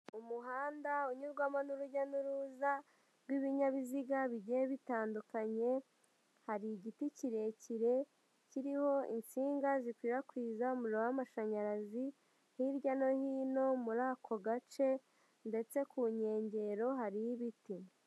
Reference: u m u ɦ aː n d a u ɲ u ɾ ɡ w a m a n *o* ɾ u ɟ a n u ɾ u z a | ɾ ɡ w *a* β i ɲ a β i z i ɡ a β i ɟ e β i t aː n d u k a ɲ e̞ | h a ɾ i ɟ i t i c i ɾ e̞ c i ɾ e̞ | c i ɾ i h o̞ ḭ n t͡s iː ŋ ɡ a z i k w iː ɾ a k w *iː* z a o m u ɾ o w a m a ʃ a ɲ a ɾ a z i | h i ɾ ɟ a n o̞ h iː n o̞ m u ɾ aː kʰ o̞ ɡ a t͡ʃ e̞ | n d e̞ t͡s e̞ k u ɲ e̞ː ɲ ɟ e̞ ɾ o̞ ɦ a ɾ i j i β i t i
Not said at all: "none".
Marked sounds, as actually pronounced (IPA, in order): u, i, iː

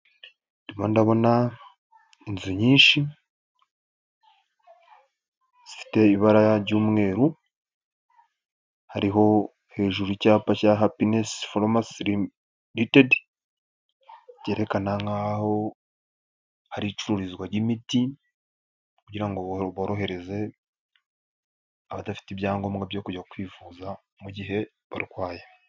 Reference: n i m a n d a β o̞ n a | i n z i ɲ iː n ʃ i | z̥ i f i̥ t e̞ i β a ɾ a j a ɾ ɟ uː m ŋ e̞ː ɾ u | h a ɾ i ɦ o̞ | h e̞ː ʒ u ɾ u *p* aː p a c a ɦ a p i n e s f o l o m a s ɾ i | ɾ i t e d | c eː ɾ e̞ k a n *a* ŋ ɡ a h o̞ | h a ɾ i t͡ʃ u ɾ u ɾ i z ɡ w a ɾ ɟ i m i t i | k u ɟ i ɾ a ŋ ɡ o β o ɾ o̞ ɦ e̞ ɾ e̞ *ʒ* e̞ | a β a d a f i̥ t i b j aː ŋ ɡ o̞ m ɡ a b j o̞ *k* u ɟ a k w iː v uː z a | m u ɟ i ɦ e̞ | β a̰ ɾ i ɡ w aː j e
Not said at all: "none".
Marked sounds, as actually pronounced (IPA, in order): c, a, z, k

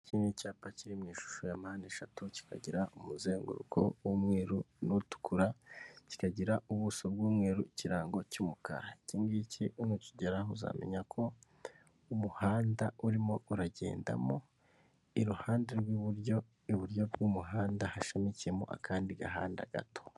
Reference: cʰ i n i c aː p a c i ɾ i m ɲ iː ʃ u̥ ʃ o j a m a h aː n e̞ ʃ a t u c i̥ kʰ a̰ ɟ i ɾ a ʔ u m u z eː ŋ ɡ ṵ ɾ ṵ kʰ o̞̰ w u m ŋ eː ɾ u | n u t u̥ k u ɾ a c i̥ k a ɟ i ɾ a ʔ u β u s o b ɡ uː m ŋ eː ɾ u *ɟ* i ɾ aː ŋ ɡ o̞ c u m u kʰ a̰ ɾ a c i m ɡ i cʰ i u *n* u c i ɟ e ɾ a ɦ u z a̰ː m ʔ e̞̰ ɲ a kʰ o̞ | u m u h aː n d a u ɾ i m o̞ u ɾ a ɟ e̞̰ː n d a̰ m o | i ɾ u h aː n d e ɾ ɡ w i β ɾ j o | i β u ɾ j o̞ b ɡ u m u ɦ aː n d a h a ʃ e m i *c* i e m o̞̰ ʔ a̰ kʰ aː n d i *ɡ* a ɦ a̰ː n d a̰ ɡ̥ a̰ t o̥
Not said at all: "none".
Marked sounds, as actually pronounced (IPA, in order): c, n, c, ɡ

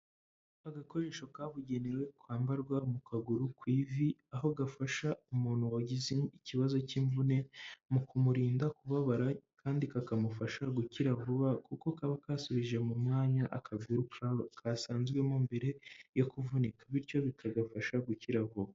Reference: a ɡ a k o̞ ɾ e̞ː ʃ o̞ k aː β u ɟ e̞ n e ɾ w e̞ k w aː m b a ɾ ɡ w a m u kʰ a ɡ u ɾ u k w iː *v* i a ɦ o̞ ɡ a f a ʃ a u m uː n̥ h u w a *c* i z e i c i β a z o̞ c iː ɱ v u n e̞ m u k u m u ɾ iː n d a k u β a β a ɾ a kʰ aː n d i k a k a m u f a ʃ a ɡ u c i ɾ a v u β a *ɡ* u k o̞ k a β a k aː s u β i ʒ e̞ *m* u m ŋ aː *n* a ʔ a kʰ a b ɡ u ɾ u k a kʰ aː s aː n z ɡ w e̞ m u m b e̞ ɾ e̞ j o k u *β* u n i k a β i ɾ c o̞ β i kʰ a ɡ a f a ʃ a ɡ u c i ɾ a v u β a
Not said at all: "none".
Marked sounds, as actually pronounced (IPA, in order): v, ɟ, k, m, ɲ, v

